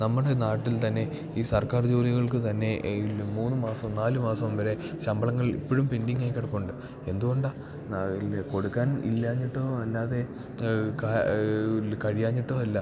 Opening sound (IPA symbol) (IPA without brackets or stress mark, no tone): n